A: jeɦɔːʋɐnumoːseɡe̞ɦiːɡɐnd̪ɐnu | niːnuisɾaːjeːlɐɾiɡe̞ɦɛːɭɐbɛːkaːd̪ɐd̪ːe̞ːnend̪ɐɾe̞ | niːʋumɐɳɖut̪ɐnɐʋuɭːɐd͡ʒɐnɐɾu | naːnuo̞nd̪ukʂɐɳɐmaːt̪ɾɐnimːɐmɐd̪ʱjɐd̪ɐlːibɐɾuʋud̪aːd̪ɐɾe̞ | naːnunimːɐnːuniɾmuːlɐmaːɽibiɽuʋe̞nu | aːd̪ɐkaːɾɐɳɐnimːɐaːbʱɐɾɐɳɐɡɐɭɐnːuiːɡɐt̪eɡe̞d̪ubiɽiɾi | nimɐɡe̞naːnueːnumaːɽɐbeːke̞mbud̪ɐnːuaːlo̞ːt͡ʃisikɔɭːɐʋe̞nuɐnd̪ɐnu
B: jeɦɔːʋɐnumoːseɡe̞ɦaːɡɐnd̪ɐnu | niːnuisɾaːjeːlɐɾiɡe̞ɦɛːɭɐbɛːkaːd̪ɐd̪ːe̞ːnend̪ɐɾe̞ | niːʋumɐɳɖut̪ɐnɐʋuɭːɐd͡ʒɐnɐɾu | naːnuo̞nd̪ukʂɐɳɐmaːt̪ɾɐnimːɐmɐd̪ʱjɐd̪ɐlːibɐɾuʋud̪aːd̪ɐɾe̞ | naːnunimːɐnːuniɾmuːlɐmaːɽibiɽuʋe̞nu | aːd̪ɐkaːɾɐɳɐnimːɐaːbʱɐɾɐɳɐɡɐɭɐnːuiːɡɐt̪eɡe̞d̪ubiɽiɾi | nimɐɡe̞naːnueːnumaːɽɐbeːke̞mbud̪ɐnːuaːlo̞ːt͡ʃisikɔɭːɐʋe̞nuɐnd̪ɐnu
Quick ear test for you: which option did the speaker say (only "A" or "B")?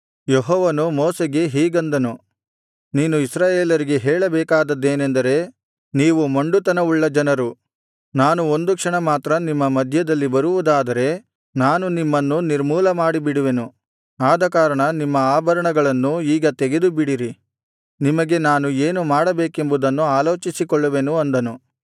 A